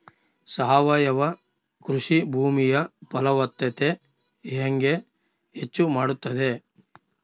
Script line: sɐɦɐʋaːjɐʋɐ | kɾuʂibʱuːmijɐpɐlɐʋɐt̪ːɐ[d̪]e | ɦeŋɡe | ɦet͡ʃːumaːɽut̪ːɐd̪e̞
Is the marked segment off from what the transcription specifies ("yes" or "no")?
yes